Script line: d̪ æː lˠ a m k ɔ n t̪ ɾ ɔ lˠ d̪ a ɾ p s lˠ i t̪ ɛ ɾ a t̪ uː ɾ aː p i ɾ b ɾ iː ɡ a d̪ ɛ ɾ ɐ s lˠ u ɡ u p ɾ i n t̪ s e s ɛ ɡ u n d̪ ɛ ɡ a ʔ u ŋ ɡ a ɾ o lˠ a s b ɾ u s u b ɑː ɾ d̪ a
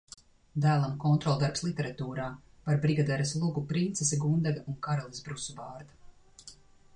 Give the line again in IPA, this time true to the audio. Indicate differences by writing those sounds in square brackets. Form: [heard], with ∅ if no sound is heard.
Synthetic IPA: d̪ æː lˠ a m k ɔ n t̪ ɾ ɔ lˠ d̪ a ɾ p s lˠ i t̪ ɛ ɾ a t̪ uː ɾ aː p [a] ɾ b ɾ [i] ɡ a d̪ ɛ ɾ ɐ s lˠ u ɡ u p ɾ i n t̪ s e s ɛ ɡ u n d̪ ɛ ɡ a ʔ u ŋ [k] a ɾ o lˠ [i] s b ɾ u s u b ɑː ɾ d̪ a